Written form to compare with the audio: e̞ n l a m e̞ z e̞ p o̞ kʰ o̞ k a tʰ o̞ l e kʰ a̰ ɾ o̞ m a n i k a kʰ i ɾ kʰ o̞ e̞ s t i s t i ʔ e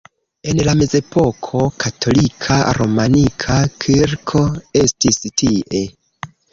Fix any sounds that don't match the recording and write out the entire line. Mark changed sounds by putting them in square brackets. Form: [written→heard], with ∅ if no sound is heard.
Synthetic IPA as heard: e̞ n l a m e̞ z e̞ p o̞ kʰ o̞ k a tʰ o̞ l [e→i] kʰ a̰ ɾ o̞ m a n i [k→kʰ] a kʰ i ɾ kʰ o̞ e̞ s t i s t i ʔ e